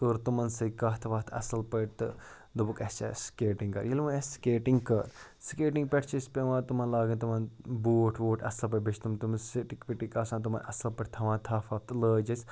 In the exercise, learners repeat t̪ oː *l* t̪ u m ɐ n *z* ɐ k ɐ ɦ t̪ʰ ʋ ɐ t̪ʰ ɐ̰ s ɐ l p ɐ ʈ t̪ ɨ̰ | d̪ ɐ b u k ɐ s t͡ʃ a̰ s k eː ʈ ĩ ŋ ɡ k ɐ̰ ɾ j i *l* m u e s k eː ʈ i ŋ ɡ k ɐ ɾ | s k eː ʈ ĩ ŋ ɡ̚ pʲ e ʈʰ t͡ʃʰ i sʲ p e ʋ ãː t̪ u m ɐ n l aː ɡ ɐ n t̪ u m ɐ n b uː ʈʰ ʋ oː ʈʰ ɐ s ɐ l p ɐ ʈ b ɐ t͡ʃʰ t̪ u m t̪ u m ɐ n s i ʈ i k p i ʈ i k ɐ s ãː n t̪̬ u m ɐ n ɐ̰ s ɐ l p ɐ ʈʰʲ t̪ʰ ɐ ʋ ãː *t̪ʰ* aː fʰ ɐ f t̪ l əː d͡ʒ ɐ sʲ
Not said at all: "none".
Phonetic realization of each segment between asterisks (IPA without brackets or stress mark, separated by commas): ɾ, s, l, t̪ʰ